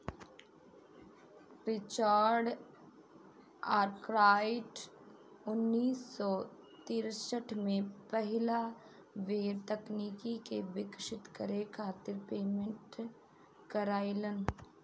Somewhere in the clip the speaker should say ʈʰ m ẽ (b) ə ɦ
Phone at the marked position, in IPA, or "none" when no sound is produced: p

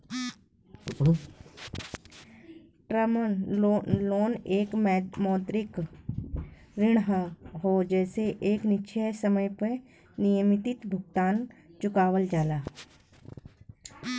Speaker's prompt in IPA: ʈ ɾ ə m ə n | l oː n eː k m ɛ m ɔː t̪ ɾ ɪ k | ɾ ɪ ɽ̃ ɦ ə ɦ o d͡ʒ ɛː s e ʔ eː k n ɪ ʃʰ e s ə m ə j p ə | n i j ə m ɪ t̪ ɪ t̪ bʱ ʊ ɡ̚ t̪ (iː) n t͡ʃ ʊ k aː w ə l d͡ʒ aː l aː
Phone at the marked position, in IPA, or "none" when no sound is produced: aː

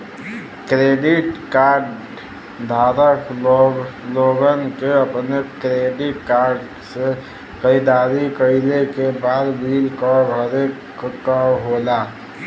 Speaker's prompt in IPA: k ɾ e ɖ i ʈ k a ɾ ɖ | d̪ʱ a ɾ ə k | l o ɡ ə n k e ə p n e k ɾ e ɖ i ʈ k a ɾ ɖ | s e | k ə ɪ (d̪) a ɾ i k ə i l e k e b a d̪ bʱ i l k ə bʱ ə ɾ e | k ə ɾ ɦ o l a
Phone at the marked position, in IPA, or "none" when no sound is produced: d̪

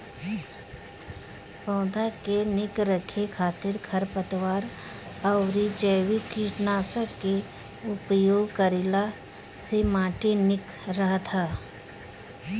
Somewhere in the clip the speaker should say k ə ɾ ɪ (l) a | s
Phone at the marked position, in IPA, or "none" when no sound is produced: l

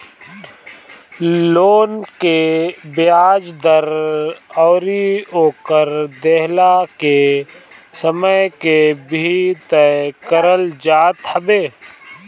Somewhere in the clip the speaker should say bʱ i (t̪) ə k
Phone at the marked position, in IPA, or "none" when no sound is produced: t̪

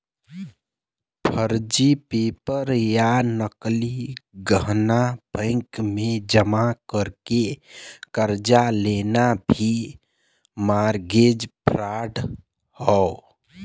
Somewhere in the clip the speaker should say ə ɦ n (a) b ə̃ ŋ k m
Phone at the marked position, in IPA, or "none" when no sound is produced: a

